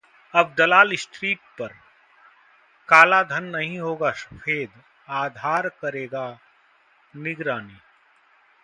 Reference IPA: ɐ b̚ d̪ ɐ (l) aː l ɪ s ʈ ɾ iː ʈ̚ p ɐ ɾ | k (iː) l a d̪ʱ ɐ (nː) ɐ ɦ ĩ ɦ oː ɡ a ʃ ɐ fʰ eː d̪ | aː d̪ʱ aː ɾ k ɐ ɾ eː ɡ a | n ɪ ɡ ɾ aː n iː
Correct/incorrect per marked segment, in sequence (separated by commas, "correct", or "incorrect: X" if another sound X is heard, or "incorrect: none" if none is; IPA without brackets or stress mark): correct, incorrect: aː, correct